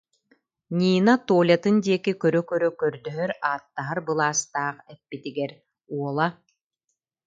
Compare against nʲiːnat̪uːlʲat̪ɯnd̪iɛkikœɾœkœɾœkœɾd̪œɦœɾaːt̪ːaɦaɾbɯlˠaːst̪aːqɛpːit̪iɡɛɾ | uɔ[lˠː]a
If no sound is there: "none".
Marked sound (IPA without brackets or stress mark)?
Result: lˠ